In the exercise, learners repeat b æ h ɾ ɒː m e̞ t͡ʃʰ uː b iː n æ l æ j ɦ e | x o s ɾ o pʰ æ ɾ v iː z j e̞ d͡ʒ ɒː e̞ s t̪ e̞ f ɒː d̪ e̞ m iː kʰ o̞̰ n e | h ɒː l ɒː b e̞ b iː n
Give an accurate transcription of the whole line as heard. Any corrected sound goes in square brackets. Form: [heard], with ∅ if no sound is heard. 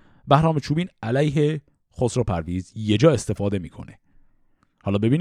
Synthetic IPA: b æ h ɾ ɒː m e̞ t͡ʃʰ uː b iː n æ l æ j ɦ e | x o s ɾ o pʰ æ ɾ v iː z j e̞ d͡ʒ ɒː e̞ s t̪ e̞ f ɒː d̪ e̞ m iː kʰ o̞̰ n e | h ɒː l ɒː b e̞ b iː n